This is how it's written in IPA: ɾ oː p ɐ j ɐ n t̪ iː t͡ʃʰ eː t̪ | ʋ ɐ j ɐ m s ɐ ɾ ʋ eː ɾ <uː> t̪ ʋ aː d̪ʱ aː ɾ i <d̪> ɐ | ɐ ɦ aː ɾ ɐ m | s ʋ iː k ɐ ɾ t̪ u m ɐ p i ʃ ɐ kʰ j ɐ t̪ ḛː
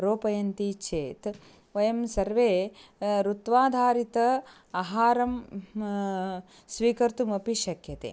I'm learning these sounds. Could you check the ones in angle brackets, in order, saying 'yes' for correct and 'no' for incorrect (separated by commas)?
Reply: no, no